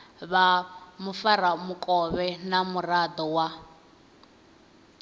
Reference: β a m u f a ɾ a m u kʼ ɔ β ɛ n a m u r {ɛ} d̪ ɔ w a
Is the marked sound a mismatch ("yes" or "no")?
yes